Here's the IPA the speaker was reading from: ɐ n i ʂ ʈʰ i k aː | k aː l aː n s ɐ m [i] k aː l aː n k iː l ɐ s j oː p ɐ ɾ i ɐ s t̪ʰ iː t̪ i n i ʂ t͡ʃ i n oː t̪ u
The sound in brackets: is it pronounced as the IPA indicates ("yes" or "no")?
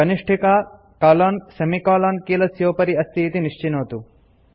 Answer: yes